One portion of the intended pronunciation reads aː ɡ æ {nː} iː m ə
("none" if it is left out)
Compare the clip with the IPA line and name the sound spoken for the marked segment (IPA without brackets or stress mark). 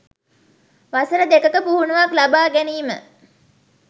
n